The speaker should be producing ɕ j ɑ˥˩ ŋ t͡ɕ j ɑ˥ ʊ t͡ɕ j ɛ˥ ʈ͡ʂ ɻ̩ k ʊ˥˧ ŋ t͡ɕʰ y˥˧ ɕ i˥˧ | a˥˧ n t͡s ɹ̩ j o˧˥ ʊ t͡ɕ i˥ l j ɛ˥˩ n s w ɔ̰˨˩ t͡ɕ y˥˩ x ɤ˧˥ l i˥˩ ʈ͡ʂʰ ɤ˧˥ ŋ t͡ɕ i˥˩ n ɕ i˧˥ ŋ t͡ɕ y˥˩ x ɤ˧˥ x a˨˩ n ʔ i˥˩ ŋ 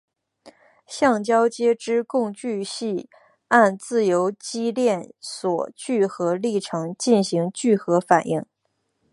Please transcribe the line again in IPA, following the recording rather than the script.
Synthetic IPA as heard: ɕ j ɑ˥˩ ŋ t͡ɕ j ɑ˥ ʊ t͡ɕ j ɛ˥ ʈ͡ʂ ɻ̩ k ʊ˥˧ ŋ t͡ɕ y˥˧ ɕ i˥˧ | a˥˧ n t͡s ɹ̩ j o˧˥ ʊ t͡ɕ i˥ l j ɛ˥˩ n s w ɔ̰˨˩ t͡ɕ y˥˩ x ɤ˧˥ l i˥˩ ʈ͡ʂʰ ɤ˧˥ ŋ t͡ɕ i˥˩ n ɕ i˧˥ ŋ t͡ɕ y˥˩ x ɤ˧˥ f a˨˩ n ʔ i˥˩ ŋ

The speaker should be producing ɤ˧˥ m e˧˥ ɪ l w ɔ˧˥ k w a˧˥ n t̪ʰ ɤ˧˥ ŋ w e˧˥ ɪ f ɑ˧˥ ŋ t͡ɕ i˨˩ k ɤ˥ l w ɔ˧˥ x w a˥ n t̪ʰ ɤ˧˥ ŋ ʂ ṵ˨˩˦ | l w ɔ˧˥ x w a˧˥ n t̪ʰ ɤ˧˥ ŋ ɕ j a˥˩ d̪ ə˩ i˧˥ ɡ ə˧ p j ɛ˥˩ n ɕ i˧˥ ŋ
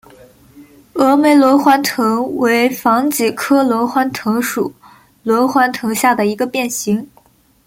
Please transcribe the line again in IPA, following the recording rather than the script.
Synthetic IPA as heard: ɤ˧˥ m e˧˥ ɪ l w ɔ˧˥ x w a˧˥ n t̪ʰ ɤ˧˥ ŋ w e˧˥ ɪ f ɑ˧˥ ŋ t͡ɕ i˨˩ kʰ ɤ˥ l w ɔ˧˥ x w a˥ n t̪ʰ ɤ˧˥ ŋ ʂ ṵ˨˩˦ | l w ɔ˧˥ x w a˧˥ n t̪ʰ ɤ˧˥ ŋ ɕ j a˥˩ d̪ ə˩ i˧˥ ɡ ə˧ p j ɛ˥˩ n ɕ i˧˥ ŋ

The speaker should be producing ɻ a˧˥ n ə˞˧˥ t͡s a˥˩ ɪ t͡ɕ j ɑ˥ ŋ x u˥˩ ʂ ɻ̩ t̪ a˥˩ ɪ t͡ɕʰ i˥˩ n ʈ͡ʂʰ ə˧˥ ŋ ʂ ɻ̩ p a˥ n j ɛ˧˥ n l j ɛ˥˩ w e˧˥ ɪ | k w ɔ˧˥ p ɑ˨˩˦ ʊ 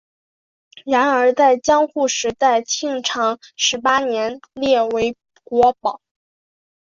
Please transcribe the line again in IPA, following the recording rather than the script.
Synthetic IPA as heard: ɻ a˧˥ n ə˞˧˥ t͡s a˥˩ ɪ t͡ɕ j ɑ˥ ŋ x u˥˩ ʂ ɻ̩ t̪ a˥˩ ɪ t͡ɕʰ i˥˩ ŋ ʈ͡ʂʰ ɑ˧˥ ŋ ʂ ɻ̩ p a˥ n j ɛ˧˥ n l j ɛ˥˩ w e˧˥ ɪ | k w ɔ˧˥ p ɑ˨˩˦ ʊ

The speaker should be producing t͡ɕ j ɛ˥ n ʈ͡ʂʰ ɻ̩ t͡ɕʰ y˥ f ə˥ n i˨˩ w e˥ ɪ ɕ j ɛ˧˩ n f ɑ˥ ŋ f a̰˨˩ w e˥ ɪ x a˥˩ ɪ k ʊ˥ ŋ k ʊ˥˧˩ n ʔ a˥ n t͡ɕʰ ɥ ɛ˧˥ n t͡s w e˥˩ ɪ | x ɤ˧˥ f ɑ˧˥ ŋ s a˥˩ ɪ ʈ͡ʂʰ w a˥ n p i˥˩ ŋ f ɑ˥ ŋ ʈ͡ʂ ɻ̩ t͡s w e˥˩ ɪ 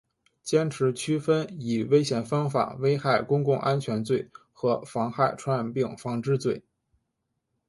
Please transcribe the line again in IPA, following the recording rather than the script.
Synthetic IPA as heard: t͡ɕ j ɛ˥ n ʈ͡ʂʰ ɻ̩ t͡ɕʰ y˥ f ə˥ n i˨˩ w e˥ ɪ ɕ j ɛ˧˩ n f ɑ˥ ŋ f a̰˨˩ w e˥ ɪ x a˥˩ ɪ k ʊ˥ ŋ k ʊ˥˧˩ ŋ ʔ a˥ n t͡ɕʰ ɥ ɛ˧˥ n t͡s w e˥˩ ɪ | x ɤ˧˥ f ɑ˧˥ ŋ x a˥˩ ɪ ʈ͡ʂʰ w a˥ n p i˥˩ ŋ f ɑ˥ ŋ ʈ͡ʂ ɻ̩ t͡s w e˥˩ ɪ

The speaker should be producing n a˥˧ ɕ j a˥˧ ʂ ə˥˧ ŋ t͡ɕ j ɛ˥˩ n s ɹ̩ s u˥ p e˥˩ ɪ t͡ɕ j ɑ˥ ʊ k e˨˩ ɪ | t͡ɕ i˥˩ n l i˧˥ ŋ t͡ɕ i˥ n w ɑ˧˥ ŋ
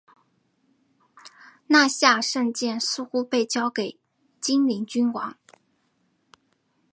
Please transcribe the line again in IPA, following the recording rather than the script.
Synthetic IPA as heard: n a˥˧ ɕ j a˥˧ ʂ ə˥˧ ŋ t͡ɕ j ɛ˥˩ n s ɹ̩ x u˥ p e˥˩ ɪ t͡ɕ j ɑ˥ ʊ k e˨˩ ɪ | t͡ɕ i˥ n l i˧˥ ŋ t͡ɕ y˥ n w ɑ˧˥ ŋ

